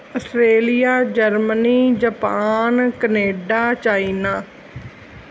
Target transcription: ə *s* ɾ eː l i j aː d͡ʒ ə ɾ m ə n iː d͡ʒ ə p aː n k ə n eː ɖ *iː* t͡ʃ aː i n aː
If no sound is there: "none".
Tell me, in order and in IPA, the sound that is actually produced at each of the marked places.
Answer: s, aː

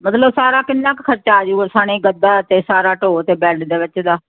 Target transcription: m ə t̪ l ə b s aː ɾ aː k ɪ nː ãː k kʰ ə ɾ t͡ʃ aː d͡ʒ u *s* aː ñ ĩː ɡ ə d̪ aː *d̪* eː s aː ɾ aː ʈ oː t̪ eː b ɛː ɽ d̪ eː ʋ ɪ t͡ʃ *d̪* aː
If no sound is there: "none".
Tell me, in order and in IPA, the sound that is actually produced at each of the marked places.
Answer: s, t̪, d̪

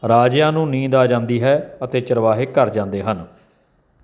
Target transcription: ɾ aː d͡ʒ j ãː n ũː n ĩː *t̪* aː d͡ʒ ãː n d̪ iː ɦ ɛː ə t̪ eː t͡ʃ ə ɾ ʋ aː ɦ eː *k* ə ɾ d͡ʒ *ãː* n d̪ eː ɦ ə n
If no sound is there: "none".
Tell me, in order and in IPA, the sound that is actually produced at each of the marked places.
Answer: d̪, k, ãː

